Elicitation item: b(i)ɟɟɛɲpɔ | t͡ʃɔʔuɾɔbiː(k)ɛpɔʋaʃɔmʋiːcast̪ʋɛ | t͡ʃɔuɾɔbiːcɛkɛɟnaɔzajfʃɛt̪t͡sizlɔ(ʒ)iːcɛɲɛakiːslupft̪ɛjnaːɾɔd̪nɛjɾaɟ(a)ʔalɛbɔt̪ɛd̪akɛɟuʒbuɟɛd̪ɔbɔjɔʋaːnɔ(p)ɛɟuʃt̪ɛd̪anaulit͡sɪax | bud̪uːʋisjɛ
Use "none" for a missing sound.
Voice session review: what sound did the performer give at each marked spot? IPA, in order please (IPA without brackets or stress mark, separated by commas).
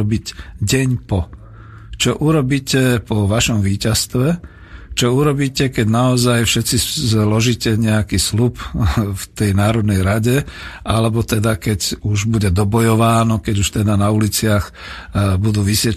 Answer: i, c, ʒ, ɛ, k